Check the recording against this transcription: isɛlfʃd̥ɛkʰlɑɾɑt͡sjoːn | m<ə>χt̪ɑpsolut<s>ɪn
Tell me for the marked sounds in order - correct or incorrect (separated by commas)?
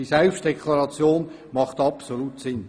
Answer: incorrect, correct